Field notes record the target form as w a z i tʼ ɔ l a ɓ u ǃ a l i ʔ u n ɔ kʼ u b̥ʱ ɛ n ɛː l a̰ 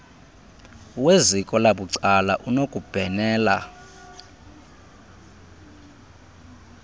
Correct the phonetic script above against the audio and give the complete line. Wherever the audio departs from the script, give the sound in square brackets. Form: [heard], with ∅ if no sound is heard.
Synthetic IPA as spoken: w [e] z i [kʼ] ɔ l a ɓ u [ǀ] a l [a] ʔ u n [o] kʼ u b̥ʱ ɛ n ɛː l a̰